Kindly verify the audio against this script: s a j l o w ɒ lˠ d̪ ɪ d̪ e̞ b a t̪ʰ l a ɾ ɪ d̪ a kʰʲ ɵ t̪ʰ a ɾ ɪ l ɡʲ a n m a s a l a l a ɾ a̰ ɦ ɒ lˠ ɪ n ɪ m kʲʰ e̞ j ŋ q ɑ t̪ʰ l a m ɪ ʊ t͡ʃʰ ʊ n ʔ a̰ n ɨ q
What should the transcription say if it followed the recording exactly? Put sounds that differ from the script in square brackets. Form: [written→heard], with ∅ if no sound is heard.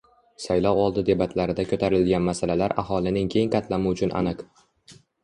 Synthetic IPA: s a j l [o→ɒ] w ɒ lˠ d̪ ɪ d̪ e̞ b a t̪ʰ l a ɾ ɪ d̪ a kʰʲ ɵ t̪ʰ a ɾ ɪ l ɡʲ a n m a s a l a l a ɾ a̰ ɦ ɒ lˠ ɪ n ɪ [m→ŋ] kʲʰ e̞ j ŋ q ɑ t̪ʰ l a m ɪ ʊ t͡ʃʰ ʊ n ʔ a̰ n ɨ q